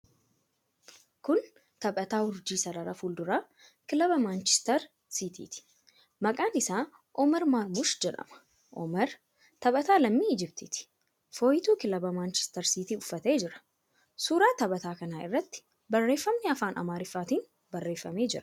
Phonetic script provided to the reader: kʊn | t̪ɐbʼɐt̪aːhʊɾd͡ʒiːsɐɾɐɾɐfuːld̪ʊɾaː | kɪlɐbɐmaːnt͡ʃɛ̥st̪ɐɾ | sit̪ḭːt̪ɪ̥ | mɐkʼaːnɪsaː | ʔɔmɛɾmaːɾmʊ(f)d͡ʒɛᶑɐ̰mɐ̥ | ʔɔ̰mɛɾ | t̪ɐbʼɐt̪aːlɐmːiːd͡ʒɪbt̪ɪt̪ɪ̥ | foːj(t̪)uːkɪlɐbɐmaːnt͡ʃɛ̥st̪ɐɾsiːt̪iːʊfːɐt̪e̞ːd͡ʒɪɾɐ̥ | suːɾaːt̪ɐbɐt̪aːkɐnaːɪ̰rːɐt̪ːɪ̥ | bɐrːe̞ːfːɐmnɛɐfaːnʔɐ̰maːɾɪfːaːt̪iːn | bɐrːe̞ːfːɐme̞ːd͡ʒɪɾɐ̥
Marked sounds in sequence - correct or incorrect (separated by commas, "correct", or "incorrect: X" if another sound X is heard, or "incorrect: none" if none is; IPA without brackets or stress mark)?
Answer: incorrect: ʃ, correct